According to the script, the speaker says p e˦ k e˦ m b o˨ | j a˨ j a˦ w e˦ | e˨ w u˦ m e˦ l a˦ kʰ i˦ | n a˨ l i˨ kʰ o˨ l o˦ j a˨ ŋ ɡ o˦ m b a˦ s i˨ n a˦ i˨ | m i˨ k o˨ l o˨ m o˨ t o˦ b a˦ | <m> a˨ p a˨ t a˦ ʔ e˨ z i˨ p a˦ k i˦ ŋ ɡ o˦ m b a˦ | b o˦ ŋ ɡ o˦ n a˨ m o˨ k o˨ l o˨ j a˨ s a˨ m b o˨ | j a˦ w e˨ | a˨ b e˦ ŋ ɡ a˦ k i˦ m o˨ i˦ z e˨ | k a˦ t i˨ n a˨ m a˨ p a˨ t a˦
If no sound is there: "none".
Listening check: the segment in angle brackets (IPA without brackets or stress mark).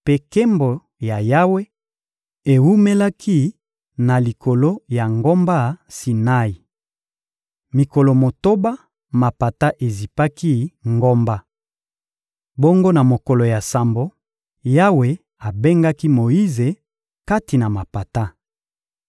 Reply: m